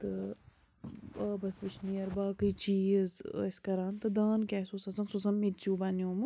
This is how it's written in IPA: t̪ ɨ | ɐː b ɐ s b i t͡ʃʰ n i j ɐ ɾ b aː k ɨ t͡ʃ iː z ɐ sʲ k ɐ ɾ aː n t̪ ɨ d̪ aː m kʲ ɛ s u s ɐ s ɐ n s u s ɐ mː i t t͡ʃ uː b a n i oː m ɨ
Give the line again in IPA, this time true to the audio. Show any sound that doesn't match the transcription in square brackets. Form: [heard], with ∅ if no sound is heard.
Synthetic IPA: t̪ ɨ | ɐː b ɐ s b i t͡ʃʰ n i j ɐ ɾ b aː k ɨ t͡ʃ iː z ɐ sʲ k ɐ ɾ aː n t̪ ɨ d̪ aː [n] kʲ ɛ s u s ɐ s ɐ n s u s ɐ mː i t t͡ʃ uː b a n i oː m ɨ

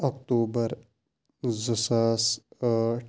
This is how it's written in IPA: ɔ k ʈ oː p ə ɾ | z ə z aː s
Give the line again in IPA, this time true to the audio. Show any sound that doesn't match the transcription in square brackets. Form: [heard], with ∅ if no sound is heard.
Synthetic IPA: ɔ k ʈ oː [b] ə ɾ | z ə [s] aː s

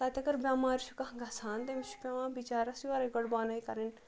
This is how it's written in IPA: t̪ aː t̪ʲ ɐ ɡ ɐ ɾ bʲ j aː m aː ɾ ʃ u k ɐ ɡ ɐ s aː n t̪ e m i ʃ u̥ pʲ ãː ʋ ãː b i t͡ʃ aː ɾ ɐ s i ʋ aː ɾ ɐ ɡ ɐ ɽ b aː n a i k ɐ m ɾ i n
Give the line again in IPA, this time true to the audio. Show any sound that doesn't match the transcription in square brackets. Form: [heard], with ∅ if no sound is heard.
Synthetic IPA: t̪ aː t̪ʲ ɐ ɡ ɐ ɾ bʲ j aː m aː ɾ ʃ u k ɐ ɡ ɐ s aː n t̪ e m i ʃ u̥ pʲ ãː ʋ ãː b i t͡ʃ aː ɾ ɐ s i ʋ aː ɾ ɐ ɡ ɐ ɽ b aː n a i k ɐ [∅] ɾ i n

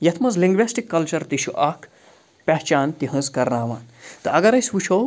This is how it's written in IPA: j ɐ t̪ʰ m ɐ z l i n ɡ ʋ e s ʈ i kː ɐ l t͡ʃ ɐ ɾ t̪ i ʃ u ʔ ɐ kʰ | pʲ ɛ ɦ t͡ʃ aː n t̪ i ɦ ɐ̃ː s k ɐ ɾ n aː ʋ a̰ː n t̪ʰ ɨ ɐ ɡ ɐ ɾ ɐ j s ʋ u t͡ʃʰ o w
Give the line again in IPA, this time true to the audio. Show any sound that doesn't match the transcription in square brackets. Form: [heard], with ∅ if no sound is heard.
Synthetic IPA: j ɐ t̪ʰ m ɐ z l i [ŋ] ɡ ʋ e s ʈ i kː ɐ l t͡ʃ ɐ ɾ t̪ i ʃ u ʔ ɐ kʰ | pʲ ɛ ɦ t͡ʃ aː n t̪ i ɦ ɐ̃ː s k ɐ ɾ n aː ʋ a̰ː n [t̪] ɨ ɐ ɡ ɐ ɾ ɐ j s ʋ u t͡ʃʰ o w

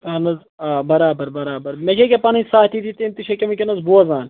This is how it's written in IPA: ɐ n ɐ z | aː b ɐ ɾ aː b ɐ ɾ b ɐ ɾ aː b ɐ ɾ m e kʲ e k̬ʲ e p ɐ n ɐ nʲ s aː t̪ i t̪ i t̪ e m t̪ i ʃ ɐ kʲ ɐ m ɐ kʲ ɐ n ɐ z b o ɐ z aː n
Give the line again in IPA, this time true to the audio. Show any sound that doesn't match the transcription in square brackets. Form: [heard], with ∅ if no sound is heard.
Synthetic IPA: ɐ n ɐ z | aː b ɐ ɾ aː b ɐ ɾ b ɐ ɾ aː b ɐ ɾ m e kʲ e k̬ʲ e p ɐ n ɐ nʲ s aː t̪ i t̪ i t̪ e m t̪ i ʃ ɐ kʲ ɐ m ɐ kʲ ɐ n ɐ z b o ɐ z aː n

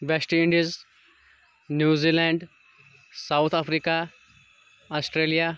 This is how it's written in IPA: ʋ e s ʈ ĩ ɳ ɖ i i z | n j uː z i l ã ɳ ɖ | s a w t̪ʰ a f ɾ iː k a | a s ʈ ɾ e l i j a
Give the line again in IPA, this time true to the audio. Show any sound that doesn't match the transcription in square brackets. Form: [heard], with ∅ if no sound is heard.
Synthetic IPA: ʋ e s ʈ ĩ ɳ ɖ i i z | n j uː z i l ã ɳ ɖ | s a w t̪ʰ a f ɾ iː k a | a s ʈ ɾ e l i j a

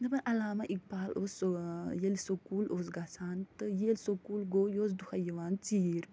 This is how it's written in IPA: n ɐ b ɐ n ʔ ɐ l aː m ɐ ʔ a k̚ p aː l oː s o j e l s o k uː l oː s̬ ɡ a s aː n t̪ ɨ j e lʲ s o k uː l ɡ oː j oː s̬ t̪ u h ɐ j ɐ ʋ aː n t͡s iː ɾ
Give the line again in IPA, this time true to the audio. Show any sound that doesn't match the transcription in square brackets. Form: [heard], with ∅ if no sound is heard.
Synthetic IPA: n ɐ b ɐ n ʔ ɐ l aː m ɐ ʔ [i] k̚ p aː l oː s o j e l s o k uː l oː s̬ ɡ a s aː n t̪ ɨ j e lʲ s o k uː l ɡ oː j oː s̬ [d̪] u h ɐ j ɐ ʋ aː n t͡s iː ɾ

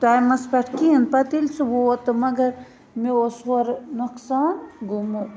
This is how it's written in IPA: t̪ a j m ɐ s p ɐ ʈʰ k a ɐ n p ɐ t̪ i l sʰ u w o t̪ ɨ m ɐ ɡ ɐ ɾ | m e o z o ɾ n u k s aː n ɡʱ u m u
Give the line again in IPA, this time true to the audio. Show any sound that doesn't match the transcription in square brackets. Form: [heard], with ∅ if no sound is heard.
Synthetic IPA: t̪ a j m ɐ s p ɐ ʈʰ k [i] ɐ n p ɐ t̪ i l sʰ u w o t̪ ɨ m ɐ ɡ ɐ ɾ | m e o [s] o ɾ n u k s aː n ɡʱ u m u

